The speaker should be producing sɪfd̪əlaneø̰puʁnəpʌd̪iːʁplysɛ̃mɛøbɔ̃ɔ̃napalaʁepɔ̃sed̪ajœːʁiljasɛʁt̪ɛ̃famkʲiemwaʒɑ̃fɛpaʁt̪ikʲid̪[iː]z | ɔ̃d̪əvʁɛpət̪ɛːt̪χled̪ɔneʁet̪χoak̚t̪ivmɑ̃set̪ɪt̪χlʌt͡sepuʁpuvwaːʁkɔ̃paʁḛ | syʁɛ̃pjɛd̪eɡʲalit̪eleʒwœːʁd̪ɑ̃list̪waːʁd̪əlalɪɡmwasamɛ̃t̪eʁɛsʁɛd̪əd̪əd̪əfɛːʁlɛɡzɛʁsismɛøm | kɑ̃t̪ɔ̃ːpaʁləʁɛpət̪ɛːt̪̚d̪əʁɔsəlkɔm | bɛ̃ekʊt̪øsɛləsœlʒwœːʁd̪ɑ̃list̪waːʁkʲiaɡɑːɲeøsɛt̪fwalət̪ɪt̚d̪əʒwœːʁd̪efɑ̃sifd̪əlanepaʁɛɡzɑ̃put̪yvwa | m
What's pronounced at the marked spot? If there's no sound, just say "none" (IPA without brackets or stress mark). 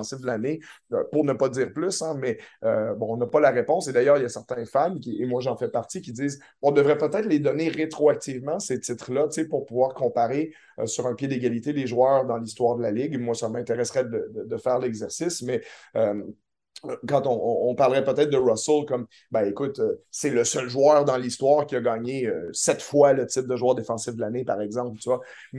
iː